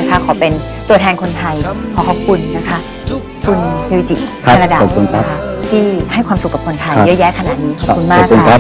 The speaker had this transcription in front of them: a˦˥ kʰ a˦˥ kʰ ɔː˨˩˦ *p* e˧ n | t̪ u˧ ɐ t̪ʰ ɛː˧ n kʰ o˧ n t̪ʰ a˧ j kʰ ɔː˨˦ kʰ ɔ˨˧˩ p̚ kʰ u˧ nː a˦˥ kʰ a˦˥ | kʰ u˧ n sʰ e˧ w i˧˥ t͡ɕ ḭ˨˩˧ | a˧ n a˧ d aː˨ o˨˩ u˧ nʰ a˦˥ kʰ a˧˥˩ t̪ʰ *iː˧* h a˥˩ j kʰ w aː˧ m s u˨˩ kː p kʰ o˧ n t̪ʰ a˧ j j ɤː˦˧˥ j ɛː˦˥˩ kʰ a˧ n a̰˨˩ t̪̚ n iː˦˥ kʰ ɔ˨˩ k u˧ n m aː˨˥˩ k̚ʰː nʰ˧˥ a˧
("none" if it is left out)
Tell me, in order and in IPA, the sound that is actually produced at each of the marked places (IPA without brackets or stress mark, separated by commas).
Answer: p, iː˥˩